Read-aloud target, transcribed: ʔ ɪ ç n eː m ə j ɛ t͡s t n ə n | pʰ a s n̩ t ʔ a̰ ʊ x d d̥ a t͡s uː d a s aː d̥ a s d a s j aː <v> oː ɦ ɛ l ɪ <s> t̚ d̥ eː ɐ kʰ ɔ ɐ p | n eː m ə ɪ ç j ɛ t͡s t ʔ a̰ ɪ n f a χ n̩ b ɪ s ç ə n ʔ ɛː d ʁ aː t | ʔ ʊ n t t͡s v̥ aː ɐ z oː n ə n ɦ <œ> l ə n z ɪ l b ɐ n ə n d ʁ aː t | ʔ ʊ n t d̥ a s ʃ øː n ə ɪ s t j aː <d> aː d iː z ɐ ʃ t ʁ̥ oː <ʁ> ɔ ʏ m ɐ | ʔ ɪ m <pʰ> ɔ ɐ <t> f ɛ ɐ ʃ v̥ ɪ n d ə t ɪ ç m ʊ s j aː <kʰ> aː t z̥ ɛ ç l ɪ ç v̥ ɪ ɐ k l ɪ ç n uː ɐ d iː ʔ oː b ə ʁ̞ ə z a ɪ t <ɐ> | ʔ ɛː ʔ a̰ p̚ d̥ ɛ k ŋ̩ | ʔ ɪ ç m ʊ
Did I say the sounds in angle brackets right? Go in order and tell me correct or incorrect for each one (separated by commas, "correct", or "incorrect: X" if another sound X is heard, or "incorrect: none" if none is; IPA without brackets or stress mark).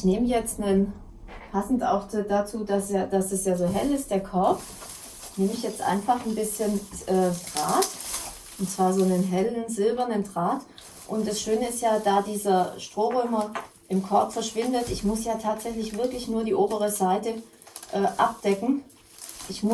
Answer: incorrect: z, correct, incorrect: ɛ, correct, correct, incorrect: kʰ, incorrect: p, incorrect: tʰ, incorrect: ə